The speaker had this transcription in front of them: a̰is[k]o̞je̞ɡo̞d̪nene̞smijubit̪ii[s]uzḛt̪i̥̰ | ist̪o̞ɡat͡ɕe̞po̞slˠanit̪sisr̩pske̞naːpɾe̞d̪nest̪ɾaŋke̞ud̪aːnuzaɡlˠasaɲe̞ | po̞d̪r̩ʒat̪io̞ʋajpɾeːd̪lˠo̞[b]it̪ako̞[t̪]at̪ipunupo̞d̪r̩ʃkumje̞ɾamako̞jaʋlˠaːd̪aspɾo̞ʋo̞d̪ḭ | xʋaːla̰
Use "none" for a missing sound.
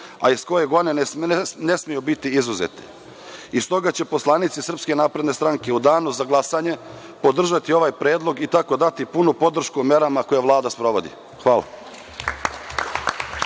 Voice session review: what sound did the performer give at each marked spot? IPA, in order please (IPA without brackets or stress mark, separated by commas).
k, z, ɡ, d̪